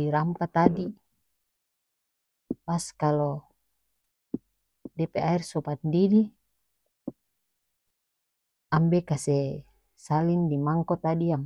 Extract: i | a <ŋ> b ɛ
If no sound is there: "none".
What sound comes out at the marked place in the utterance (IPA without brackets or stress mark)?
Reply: m